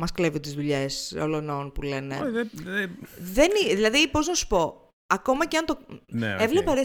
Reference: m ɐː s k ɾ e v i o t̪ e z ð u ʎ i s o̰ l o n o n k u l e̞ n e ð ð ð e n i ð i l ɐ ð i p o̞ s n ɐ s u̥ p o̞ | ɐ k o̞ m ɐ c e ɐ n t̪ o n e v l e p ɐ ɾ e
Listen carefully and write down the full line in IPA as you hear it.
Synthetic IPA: m ɐ s k l e v i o t̪ i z ð u ʎ e s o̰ l o n o n p u l e̞ n e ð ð ð e n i ð i l ɐ ð i p o̞ z n ɐ s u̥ p o̞ | ɐ k o̞ m ɐ c e ɐ n t̪ o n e v l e p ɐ ɾ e